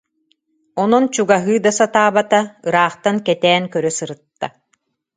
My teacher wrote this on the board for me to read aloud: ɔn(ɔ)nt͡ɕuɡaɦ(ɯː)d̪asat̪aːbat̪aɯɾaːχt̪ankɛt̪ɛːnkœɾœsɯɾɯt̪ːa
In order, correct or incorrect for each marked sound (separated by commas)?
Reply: correct, correct